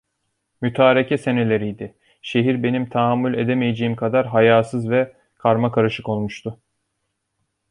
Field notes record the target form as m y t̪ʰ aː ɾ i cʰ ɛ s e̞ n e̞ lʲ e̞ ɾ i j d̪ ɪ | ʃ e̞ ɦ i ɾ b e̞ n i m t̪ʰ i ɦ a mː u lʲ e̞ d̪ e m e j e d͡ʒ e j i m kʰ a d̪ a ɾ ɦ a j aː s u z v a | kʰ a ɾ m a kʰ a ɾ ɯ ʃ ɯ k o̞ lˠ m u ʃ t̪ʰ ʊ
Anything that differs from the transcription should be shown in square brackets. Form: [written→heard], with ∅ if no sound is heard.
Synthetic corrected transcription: m y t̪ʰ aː ɾ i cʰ ɛ s e̞ n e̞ lʲ e̞ ɾ i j d̪ ɪ | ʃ e̞ ɦ i ɾ b e̞ n i m t̪ʰ [i→a] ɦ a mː u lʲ e̞ d̪ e m e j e d͡ʒ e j i m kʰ a d̪ a ɾ ɦ a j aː s [u→ɯ] z v [a→ɛ] | kʰ a ɾ m a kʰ a ɾ ɯ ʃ ɯ k o̞ lˠ m u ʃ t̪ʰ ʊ